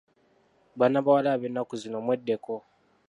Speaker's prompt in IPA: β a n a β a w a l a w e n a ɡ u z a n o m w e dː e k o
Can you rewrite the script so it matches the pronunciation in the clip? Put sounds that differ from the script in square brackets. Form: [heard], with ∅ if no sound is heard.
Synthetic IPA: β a n a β a w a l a [β] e n a [k] u z [i] n o m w e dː e k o

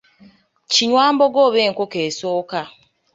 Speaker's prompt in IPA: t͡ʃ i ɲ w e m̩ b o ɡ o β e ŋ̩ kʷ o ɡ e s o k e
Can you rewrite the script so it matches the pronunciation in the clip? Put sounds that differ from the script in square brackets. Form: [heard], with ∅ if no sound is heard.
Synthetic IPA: t͡ʃ i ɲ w [a] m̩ b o ɡ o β e ŋ̩ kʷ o [k] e s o k [a]

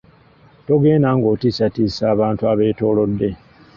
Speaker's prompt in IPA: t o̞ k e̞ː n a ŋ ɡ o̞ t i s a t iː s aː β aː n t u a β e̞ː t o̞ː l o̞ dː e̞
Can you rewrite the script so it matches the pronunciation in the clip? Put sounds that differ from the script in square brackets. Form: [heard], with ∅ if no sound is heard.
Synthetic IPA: t o̞ [ɡ] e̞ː n a ŋ ɡ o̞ t i s a t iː s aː β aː n t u a β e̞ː t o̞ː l o̞ dː e̞

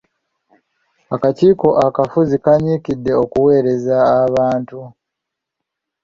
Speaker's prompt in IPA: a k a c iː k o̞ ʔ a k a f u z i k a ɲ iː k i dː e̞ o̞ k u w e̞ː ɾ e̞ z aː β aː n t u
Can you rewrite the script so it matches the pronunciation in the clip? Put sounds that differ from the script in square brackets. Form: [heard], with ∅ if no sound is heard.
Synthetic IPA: a k a c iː k o̞ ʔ a k a f u z i k a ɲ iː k i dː e̞ o̞ k u w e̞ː ɾ e̞ z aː β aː n t u

